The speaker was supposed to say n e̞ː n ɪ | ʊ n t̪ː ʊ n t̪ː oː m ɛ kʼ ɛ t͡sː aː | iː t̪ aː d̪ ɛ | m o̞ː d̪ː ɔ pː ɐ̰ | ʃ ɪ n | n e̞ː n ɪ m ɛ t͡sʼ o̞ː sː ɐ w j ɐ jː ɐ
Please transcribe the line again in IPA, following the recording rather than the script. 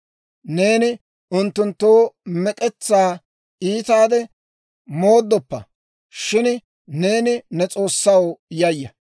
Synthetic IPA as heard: n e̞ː n ɪ | ʊ n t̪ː ʊ n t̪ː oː m ɛ kʼ ɛ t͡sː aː | iː t̪ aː d̪ ɛ | m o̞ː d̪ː ɔ pː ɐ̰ | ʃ ɪ n | n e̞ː n ɪ n ɛ t͡sʼ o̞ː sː ɐ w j ɐ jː ɐ